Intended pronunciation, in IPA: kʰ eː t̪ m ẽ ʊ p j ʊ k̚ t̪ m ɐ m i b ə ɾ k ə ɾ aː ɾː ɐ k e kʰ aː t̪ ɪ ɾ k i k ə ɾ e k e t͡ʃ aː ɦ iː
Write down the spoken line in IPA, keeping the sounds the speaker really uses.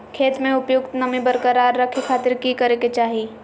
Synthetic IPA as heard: kʰ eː t̪ m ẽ ʊ p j ʊ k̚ t̪ n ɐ m i b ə ɾ k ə ɾ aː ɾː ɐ kʰ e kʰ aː t̪ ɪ ɾ k i k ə ɾ e k e t͡ʃ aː ɦ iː